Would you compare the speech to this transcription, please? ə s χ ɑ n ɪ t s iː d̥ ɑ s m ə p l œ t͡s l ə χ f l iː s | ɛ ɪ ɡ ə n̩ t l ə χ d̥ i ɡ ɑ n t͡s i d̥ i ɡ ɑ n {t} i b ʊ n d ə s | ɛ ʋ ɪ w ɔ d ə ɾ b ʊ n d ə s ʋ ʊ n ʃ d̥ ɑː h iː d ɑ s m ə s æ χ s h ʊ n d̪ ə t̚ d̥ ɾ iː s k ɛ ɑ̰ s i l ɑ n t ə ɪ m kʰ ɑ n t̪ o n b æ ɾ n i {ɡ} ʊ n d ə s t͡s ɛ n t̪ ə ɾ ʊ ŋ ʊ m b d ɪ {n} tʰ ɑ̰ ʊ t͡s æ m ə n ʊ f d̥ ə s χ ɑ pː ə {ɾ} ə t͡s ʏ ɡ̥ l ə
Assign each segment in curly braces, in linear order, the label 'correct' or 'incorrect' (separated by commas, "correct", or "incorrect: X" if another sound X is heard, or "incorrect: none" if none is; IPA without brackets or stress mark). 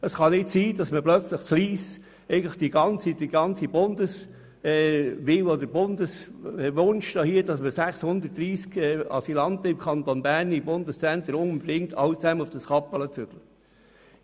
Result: incorrect: t͡s, incorrect: b, incorrect: ŋ, incorrect: l